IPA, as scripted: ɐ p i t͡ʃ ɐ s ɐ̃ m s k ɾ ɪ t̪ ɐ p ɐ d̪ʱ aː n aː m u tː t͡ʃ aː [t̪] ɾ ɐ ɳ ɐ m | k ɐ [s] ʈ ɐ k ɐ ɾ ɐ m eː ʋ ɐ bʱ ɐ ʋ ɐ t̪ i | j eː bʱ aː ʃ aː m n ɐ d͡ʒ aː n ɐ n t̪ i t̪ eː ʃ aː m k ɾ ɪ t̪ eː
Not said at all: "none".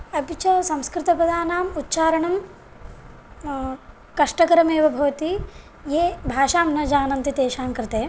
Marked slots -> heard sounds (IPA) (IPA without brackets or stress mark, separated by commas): none, ʂ